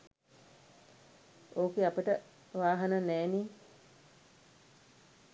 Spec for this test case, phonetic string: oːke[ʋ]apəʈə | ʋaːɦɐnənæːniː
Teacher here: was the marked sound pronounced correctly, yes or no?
no